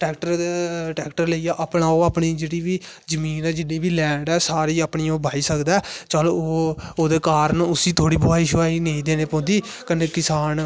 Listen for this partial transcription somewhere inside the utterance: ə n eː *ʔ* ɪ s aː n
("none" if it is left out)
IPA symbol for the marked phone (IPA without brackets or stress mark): k